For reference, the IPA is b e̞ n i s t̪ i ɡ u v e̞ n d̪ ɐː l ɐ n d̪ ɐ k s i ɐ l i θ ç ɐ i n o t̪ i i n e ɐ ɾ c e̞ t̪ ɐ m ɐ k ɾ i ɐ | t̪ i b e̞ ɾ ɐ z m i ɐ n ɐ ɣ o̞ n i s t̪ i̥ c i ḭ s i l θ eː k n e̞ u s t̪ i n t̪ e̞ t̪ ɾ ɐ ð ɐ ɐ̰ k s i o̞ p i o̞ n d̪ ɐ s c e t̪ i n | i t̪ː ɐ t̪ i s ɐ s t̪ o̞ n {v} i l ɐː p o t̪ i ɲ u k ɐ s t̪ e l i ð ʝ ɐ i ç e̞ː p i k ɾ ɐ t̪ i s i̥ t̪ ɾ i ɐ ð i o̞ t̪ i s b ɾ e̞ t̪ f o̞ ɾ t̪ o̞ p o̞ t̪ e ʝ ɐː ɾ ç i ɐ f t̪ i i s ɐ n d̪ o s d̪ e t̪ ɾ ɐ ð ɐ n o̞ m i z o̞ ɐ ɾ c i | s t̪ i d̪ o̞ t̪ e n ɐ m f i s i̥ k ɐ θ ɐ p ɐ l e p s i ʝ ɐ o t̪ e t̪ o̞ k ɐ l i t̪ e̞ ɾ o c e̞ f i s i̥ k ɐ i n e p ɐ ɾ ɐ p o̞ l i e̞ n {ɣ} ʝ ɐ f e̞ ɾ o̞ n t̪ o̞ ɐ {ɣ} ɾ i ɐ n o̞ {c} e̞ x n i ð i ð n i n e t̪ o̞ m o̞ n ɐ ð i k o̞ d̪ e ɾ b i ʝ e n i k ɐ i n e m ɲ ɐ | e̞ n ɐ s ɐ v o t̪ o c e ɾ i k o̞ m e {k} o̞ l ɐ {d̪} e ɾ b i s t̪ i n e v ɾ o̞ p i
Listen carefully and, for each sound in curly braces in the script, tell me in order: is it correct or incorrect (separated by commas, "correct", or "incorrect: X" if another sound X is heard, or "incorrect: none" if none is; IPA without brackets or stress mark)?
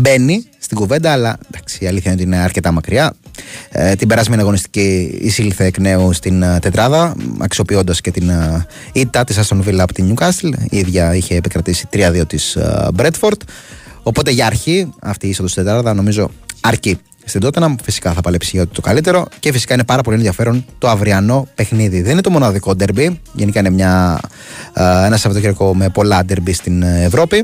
correct, incorrect: ð, incorrect: v, incorrect: p, incorrect: p, correct